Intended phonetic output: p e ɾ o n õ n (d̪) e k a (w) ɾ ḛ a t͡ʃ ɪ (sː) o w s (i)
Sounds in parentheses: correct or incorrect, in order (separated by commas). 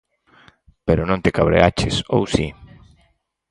incorrect, incorrect, incorrect, correct